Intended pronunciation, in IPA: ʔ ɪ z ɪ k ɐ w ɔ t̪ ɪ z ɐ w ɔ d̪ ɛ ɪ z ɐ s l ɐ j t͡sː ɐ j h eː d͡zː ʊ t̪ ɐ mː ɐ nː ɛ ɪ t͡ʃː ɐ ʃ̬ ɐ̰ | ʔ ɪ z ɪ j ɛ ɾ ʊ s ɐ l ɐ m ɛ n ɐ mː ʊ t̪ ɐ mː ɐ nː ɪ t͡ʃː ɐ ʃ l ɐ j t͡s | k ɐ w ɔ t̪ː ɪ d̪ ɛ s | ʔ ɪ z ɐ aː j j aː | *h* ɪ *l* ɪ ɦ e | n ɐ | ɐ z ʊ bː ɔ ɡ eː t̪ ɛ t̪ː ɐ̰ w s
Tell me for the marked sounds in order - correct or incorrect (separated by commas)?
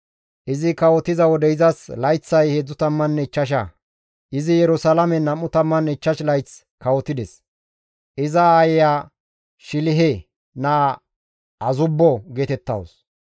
incorrect, correct